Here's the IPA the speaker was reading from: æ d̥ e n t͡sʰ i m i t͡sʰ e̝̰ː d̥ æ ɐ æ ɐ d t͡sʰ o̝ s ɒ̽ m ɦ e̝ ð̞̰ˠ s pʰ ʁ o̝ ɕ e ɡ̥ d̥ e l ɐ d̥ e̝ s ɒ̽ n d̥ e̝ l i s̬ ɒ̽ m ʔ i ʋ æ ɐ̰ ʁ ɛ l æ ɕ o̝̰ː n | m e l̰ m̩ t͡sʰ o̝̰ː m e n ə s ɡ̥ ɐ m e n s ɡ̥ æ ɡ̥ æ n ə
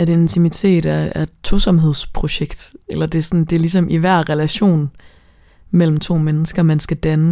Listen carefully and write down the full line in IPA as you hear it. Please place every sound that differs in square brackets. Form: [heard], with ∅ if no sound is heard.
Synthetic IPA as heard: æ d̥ e n t͡sʰ i m i t͡sʰ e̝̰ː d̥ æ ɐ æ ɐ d t͡sʰ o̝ s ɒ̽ m ɦ e̝ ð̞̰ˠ s pʰ ʁ o̝ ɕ e ɡ̥ d̥ e l ɐ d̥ e̝ s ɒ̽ n d̥ e̝ l i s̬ ɒ̽ m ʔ i ʋ æ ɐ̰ ʁ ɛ l æ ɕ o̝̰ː n | m e l̰ m̩ t͡sʰ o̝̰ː m e n ə s ɡ̥ ɐ m [æ] n s ɡ̥ æ [d̥] æ n ə